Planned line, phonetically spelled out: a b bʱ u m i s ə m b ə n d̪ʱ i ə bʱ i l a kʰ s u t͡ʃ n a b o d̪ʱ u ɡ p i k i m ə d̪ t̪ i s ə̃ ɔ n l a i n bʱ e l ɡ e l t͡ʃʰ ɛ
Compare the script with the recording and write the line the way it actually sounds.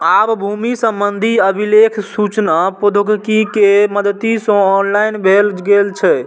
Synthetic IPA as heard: a b bʱ u m i s ə m b ə n d̪ʱ i ə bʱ i l e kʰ s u t͡ʃ n a p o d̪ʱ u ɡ k i k e m ə d̪ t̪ i s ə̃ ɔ n l a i n bʱ e l ɡ e l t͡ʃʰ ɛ